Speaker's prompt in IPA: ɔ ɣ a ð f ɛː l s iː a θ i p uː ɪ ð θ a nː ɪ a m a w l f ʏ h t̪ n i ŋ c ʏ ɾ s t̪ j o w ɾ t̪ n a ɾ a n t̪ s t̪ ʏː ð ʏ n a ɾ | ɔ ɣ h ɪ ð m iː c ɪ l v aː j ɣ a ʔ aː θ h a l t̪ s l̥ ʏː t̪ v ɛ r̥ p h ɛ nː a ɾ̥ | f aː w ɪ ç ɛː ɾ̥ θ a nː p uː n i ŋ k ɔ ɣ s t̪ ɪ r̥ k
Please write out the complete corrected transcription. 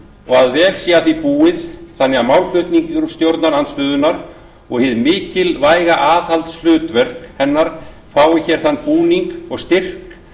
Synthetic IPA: ɔ ɣ a ð v ɛː l s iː a θ i p uː ɪ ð θ a nː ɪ a m a w l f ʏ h t̪ n i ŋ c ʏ ɾ s t̪ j o w ɾ t̪ n a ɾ a n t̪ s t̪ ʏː ð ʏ n a ɾ | ɔ ɣ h ɪ ð m ɪː c ɪ l v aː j ɣ a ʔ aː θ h a l t̪ s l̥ ʏː t̪ v ɛ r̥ k h ɛ nː a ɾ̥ | f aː w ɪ ç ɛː ɾ̥ θ a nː p uː n i ŋ k ɔ ɣ s t̪ ɪ r̥ k